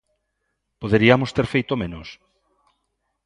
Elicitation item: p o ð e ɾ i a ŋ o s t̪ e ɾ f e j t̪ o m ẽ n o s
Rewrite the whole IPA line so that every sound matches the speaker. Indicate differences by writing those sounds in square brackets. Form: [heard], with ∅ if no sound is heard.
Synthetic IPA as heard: p o ð e ɾ i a [m] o s t̪ e ɾ f e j t̪ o m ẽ n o s